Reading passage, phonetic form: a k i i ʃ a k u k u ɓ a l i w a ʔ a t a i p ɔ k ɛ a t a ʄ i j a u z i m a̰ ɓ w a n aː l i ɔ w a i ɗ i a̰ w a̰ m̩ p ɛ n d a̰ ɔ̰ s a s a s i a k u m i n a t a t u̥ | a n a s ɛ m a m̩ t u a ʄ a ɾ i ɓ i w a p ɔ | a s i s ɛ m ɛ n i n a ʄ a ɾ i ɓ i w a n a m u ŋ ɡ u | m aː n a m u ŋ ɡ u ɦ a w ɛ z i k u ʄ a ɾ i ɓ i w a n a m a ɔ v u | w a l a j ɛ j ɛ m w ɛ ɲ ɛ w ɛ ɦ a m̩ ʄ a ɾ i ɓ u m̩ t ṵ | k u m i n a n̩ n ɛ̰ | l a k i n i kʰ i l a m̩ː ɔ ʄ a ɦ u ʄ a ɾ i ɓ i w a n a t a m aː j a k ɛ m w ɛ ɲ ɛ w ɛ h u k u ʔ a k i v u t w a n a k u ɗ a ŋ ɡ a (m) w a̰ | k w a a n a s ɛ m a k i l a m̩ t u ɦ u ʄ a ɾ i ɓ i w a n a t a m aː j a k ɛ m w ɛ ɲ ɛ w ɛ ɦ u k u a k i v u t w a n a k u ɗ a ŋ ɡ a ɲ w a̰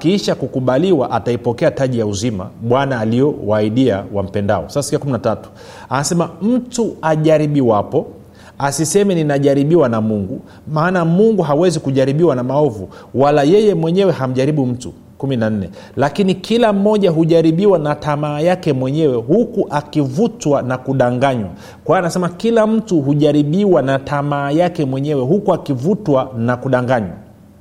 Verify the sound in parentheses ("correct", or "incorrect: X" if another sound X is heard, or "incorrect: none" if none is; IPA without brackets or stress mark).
incorrect: ɲ